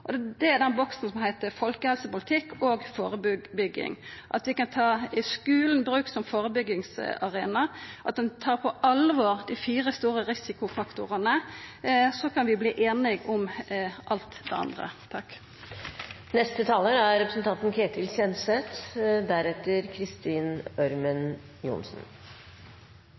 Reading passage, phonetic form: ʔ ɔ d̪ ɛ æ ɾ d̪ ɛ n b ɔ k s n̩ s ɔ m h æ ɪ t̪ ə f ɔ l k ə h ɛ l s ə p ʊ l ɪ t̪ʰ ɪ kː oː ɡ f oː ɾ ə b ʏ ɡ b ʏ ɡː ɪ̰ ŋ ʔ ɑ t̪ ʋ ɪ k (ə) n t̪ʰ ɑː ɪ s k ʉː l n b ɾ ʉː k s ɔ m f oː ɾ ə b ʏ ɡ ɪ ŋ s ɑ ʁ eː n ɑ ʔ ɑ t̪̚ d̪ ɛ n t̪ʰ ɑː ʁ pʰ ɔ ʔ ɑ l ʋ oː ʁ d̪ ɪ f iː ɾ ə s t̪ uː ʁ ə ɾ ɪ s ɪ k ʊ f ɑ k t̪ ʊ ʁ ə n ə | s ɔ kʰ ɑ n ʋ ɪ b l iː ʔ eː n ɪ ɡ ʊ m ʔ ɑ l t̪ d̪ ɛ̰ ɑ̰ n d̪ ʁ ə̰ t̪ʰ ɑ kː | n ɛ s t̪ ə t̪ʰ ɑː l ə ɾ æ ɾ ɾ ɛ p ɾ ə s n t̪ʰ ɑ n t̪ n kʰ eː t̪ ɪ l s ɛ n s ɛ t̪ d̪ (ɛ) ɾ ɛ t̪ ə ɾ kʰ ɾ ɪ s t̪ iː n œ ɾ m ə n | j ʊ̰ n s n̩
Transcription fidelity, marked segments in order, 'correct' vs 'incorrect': incorrect: ɑ, incorrect: æ

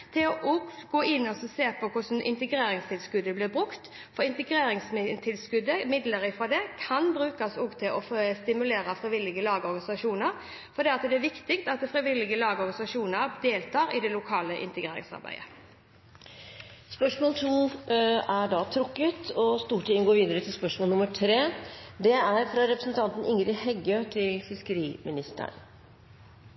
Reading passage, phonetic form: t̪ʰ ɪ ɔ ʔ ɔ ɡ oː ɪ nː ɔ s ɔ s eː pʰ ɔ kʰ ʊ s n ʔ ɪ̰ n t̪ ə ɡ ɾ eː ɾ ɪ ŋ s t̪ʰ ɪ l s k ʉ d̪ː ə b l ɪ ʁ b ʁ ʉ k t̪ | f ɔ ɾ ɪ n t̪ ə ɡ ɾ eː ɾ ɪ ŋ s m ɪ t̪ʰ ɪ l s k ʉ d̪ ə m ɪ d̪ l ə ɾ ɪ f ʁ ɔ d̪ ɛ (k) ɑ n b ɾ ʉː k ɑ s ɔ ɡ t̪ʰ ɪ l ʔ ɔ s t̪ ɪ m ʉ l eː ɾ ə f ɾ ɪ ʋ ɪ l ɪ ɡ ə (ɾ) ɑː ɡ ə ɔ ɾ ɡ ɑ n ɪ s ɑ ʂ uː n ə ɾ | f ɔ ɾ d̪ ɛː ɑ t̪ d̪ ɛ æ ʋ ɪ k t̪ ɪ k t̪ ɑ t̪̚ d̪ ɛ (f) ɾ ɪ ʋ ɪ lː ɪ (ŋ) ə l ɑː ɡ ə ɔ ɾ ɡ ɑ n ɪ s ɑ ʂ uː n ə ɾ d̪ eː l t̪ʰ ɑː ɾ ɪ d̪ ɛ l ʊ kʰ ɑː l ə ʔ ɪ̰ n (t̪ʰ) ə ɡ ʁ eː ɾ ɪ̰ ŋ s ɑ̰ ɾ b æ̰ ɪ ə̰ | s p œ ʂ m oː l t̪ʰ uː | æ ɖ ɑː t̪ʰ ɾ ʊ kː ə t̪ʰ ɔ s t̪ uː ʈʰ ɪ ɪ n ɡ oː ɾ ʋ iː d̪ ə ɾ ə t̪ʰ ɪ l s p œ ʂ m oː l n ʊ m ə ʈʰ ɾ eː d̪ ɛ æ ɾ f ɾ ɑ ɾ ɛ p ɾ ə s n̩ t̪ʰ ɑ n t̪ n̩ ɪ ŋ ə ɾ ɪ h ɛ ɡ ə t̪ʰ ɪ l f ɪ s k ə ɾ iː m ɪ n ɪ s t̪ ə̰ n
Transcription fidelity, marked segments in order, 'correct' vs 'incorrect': incorrect: kʰ, incorrect: l, correct, incorrect: ɡ, incorrect: t̪

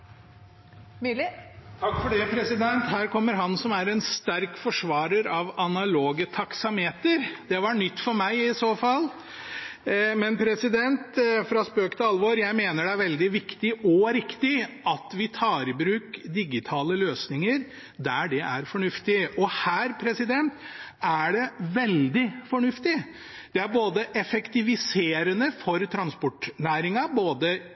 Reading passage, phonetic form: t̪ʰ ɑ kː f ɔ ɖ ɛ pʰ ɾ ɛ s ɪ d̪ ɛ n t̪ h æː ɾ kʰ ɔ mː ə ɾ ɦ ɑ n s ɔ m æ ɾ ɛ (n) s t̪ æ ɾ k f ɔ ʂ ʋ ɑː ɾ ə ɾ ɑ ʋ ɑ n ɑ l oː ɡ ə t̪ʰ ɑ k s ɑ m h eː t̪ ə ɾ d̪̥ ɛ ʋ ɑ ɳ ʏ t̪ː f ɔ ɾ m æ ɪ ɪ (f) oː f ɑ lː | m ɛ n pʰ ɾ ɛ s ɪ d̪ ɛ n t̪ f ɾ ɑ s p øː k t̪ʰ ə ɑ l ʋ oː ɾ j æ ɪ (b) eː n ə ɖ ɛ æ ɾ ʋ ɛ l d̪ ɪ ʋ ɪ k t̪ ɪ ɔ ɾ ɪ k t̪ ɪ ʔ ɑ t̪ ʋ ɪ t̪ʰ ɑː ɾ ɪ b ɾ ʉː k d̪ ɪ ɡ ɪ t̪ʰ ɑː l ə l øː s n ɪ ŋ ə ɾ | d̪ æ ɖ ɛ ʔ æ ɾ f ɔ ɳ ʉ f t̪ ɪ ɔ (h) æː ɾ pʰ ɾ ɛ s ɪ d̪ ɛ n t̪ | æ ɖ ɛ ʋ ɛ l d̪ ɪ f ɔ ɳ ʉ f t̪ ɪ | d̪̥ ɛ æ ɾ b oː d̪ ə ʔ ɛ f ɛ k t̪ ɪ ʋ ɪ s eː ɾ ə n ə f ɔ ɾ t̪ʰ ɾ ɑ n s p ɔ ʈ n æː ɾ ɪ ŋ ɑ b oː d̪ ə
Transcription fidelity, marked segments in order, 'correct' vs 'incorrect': correct, incorrect: s, incorrect: m, correct

